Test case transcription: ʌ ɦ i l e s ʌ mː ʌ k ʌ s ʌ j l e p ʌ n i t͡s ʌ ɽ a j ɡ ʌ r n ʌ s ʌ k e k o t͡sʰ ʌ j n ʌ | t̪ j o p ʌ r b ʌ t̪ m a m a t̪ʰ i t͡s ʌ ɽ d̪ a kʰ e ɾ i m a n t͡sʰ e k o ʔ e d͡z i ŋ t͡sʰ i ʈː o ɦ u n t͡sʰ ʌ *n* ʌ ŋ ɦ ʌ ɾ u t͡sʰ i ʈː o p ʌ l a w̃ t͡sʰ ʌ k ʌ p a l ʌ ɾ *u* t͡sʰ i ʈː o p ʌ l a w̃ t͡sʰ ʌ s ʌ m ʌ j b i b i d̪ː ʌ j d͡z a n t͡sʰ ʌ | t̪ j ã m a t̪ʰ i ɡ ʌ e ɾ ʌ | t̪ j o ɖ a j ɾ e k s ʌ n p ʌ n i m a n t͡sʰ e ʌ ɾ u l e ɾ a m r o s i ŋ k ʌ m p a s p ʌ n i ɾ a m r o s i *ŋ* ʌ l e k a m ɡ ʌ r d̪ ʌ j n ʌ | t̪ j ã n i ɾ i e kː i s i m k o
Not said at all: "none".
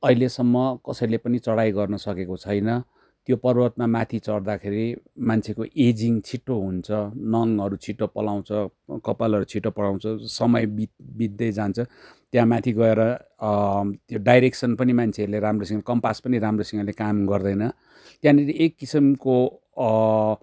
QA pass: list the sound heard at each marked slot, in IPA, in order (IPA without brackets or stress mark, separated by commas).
n, u, ŋ